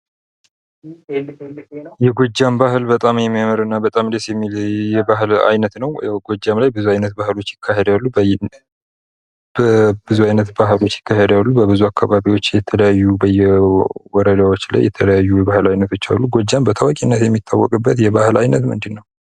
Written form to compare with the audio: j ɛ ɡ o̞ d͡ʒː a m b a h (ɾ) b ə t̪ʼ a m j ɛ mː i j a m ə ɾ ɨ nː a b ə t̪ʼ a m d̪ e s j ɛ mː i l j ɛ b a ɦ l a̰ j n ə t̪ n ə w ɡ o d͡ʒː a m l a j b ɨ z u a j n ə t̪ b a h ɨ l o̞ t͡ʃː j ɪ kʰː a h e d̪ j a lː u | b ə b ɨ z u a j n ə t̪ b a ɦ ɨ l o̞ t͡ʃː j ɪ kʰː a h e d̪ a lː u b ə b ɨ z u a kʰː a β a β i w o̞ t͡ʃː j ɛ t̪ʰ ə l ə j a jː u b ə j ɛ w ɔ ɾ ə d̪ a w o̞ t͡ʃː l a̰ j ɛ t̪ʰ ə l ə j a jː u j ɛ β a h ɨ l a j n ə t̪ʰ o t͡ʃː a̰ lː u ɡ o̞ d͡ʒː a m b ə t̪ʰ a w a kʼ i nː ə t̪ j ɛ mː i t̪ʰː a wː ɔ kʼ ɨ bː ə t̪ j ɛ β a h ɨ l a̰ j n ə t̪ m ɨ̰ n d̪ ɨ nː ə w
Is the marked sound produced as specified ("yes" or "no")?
no